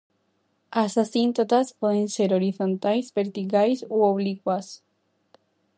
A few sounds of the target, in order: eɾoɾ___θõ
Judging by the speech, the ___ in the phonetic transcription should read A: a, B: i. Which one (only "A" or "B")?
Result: B